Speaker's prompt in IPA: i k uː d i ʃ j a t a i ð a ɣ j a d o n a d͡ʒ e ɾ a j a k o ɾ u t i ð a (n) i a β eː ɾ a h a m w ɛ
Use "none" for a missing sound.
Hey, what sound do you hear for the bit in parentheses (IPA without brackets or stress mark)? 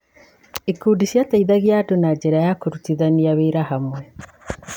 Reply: n